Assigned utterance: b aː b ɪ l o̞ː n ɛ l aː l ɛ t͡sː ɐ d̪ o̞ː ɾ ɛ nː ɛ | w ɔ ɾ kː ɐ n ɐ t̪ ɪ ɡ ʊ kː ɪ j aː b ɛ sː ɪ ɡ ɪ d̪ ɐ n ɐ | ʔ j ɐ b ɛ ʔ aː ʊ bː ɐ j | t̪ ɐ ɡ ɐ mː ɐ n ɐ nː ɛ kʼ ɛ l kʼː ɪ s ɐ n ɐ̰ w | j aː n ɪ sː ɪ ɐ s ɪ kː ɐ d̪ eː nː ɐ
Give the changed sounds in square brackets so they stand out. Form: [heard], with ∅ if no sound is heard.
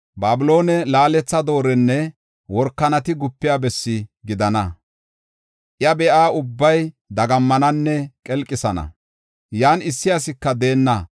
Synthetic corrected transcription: b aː b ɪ l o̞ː n ɛ l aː l ɛ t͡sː ɐ d̪ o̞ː ɾ ɛ nː ɛ | w ɔ ɾ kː ɐ n ɐ t̪ ɪ ɡ ʊ [pː] ɪ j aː b ɛ sː ɪ ɡ ɪ d̪ ɐ n ɐ | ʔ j ɐ b ɛ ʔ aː ʊ bː ɐ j | [d̪] ɐ ɡ ɐ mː ɐ n ɐ nː ɛ kʼ ɛ l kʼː ɪ s ɐ n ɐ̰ [∅] | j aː n ɪ sː ɪ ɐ s ɪ kː ɐ d̪ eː nː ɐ